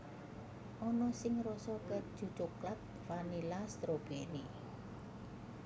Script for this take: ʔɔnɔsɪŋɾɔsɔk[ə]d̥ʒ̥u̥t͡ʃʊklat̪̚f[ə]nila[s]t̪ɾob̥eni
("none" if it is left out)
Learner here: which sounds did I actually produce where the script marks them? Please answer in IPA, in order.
ə, a, s

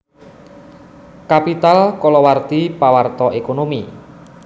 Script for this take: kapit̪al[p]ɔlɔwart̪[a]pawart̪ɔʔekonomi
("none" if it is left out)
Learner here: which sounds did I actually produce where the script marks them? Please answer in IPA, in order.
k, i

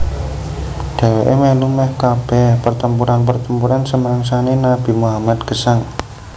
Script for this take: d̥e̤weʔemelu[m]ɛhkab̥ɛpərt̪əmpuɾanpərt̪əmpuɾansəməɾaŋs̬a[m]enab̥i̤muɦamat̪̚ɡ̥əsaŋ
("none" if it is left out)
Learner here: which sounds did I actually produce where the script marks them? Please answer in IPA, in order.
m, n

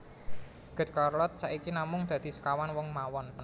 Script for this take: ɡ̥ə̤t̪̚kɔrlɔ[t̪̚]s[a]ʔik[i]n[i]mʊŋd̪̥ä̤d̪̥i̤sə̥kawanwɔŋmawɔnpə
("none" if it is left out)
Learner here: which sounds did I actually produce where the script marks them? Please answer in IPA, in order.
t̪̚, a, i, a

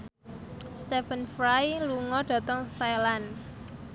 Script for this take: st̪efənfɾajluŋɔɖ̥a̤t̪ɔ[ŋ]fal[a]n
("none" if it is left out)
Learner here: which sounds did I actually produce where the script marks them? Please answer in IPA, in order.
ŋ, a

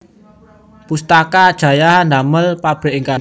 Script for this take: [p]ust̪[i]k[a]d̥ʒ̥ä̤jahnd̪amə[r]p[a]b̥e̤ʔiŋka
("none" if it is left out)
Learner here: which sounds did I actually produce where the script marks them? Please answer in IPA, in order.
p, a, a, l, a

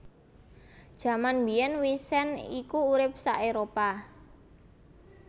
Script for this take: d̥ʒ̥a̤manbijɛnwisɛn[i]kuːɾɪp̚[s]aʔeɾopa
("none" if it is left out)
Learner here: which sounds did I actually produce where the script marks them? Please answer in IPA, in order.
i, s

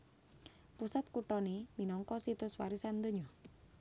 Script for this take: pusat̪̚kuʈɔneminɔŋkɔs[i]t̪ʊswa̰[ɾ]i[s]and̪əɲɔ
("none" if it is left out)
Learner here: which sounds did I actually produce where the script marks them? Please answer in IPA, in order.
i, ɾ, s

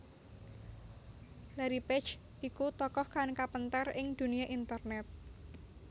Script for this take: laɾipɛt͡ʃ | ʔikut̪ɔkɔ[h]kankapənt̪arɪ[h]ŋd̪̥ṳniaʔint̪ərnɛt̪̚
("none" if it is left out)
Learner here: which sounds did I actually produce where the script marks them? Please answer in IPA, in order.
h, none

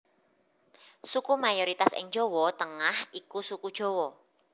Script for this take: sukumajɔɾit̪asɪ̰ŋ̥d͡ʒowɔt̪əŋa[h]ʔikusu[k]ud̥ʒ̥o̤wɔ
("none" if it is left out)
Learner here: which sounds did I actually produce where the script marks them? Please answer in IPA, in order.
h, k

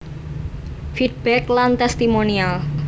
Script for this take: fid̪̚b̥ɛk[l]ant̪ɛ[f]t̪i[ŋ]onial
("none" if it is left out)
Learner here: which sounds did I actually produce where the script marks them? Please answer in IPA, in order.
l, s, m

